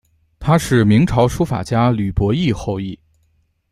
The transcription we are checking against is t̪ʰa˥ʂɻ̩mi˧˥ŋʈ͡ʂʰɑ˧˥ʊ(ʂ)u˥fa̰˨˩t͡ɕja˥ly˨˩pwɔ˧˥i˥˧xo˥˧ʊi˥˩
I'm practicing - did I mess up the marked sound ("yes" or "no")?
no